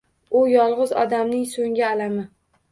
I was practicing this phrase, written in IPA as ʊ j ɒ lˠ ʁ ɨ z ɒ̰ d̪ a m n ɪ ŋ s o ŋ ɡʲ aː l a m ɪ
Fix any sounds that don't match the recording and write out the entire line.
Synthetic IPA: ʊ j ɒ lˠ ʁ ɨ z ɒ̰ d̪ a m n ɪ ŋ s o ŋ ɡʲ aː l a m ɪ